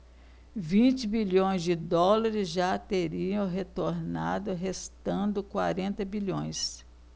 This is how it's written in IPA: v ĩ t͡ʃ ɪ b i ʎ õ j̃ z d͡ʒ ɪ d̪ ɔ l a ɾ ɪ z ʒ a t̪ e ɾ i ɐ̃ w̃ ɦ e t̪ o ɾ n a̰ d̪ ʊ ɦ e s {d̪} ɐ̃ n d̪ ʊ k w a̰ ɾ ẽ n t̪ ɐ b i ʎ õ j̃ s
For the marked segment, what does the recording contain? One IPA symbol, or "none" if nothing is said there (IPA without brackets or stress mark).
t̪